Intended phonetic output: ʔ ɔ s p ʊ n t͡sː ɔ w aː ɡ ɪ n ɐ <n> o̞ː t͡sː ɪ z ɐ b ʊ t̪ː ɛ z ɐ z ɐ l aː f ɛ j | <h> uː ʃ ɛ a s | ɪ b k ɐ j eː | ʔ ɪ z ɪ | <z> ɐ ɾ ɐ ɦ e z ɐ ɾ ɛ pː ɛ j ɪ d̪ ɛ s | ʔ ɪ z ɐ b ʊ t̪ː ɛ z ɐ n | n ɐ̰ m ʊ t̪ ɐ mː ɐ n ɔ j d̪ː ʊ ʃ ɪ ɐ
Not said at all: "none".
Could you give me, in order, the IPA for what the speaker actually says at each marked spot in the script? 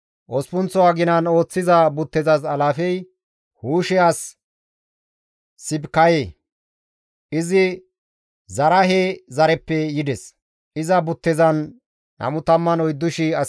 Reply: n, h, z

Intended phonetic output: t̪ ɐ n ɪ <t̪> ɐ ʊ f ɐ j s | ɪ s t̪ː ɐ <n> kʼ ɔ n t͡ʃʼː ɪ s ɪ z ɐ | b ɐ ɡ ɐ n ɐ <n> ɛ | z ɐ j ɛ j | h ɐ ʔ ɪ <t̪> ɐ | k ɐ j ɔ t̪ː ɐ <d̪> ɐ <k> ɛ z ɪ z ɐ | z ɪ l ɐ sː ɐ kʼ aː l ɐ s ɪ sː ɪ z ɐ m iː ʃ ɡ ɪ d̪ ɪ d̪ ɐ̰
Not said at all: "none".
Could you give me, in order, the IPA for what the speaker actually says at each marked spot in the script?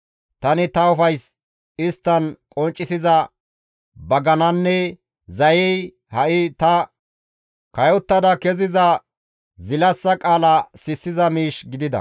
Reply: t̪, n, nː, t̪, d̪, k

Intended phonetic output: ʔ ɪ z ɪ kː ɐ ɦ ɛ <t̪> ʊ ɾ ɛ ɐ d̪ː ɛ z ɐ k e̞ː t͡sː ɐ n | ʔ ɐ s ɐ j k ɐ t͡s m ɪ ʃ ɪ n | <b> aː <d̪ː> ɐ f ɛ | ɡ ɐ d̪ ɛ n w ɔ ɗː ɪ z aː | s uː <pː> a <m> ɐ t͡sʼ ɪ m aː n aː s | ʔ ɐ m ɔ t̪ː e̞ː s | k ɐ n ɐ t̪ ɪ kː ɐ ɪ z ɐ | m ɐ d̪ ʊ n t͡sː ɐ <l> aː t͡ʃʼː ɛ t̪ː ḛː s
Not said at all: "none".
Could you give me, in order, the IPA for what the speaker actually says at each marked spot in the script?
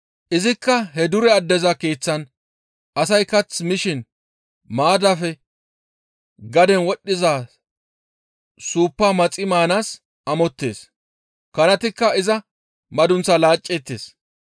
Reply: d̪, m, d̪, pː, m, l

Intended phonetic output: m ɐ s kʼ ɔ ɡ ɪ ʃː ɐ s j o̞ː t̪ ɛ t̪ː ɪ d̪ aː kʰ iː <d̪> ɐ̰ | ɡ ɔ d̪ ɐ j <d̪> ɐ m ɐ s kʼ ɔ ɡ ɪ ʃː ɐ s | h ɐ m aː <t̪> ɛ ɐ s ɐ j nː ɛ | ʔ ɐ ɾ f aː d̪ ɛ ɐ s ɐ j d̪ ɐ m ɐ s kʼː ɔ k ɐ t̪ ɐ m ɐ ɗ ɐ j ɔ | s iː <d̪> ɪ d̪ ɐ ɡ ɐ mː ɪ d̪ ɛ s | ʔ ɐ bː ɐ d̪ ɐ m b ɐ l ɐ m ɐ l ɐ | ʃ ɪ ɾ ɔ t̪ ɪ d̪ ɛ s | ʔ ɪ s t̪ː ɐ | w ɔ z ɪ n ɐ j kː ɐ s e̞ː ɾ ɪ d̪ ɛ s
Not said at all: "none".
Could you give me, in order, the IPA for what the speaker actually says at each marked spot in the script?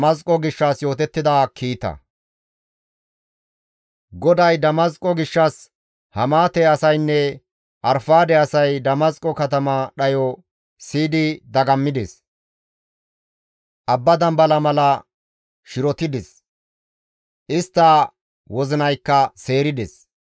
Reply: t̪, d̪, t̪, d̪

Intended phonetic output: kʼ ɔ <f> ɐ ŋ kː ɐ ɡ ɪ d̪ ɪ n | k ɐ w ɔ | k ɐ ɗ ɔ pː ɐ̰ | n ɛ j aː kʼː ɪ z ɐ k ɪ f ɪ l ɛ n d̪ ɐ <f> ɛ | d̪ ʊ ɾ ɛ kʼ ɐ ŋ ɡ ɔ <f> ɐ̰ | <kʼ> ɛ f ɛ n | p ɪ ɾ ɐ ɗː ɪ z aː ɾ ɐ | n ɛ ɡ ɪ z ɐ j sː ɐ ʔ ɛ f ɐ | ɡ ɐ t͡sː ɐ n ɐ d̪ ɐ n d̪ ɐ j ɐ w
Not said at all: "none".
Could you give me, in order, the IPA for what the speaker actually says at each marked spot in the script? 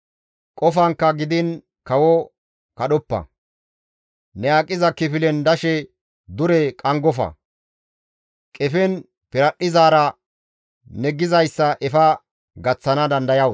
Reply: f, ʃ, f, kʼ

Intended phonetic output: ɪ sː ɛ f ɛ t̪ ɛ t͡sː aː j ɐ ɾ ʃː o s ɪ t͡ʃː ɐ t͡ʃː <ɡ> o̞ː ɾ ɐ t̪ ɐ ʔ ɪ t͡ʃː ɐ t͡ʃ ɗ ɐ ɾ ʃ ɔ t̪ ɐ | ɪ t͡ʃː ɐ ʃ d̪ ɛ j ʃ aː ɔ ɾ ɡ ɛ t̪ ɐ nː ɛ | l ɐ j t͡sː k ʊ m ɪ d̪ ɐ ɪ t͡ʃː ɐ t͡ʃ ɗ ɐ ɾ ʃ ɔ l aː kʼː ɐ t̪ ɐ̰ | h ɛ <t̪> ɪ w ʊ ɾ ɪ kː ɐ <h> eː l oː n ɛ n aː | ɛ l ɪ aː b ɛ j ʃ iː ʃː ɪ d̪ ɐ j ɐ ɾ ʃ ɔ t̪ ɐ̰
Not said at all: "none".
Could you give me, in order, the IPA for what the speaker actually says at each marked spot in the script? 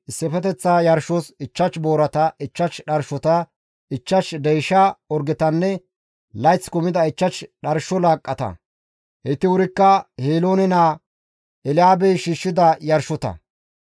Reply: b, t̪, h

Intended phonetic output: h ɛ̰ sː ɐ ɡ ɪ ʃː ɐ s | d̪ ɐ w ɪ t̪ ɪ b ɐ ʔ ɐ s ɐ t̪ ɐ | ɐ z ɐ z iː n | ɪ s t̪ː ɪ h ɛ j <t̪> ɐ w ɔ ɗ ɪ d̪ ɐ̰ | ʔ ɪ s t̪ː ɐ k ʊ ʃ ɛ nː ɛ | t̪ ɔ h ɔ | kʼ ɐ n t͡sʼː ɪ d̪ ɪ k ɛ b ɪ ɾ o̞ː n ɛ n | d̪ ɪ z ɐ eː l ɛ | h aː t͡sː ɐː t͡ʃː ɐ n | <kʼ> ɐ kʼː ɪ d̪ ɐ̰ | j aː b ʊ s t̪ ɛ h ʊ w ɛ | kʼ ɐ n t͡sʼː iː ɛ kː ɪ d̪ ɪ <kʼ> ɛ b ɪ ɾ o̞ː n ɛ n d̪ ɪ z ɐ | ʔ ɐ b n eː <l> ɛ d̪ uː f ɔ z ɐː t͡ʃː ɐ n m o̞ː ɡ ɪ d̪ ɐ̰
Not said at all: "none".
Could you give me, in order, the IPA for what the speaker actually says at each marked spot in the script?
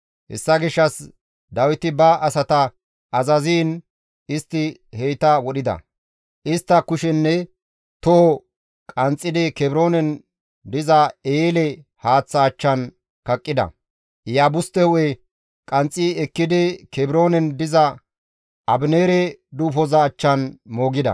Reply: t̪, k, k, ɾ

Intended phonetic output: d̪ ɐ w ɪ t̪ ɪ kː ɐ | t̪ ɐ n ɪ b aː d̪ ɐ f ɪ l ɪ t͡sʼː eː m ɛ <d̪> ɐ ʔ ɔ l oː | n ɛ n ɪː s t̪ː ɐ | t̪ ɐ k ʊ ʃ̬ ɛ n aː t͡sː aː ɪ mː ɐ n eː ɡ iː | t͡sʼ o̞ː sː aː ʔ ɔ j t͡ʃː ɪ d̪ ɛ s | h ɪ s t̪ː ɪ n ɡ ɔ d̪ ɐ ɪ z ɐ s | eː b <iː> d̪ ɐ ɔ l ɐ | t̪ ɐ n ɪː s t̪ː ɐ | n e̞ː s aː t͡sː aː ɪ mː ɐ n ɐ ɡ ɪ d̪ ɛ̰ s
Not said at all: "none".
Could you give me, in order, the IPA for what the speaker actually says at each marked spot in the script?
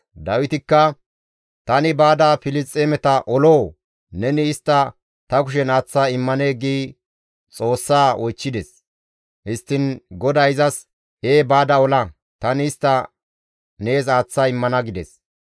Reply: t̪, aː

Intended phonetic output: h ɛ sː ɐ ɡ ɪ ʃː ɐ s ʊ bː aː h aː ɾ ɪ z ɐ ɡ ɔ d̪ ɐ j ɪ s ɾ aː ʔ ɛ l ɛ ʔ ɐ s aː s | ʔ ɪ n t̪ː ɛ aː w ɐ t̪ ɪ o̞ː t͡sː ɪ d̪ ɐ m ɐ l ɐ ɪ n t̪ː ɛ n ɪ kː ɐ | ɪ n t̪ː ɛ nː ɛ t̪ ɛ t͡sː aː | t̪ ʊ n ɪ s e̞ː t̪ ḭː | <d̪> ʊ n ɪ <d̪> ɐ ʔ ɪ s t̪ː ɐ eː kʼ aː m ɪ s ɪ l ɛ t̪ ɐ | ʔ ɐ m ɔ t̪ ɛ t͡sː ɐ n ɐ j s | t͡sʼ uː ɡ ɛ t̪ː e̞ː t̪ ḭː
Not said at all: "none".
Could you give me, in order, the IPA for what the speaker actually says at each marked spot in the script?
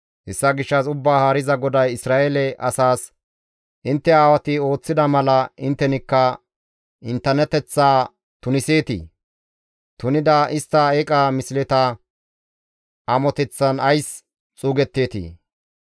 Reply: t̪, d̪

